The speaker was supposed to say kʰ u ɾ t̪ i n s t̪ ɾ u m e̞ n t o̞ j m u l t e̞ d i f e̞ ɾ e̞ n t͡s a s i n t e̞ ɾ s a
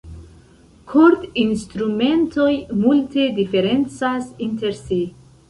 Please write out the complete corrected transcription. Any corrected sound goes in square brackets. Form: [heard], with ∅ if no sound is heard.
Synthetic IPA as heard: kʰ [o] ɾ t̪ i n s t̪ ɾ u m e̞ n t o̞ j m u l t e̞ d i f e̞ ɾ e̞ n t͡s a s i n t e̞ ɾ s [i]